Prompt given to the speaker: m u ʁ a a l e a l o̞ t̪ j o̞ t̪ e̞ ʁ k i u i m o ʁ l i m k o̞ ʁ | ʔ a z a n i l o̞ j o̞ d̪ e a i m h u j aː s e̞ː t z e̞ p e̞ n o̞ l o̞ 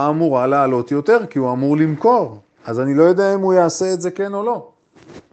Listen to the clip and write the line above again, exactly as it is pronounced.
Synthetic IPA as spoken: m u ʁ a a l e a l o̞ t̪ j o̞ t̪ e̞ ʁ k i u a m u ʁ l i m k o̞ ʁ | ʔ a z a n i l o̞ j o̞ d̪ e a i m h u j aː s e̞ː t z e̞ k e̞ n o̞ l o̞